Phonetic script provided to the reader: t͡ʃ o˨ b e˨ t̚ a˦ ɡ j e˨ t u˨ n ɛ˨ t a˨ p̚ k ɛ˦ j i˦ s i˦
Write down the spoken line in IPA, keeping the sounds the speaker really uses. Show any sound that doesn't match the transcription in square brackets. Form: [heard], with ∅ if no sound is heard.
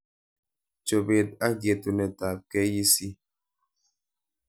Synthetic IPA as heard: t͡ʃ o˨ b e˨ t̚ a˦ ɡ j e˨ t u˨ n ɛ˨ t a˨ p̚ k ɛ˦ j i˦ s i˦